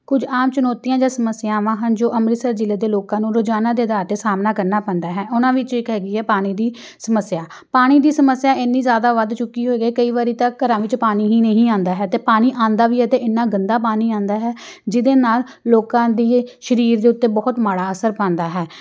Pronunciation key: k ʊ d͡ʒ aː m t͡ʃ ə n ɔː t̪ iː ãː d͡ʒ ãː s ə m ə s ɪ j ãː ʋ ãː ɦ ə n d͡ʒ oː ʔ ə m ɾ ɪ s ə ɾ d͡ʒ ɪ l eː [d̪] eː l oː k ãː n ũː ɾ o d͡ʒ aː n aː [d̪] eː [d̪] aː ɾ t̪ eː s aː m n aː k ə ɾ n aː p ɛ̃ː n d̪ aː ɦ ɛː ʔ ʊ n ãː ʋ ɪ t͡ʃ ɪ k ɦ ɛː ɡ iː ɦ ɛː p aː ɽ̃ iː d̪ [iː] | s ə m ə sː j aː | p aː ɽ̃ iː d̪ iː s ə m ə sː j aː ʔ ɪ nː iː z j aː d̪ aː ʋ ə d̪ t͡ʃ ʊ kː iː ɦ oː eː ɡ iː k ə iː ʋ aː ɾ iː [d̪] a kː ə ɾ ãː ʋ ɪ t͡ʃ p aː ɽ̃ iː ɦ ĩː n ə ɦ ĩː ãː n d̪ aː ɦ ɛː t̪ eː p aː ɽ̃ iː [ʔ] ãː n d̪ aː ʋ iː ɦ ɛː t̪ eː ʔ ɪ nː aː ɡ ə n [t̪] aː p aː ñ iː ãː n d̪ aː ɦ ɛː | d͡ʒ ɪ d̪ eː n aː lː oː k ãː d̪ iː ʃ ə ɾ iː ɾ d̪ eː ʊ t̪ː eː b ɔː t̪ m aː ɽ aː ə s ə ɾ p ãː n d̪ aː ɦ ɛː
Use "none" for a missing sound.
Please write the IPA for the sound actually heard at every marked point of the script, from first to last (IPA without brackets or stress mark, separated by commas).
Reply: d̪, d̪, d̪, iː, t̪, ʔ, d̪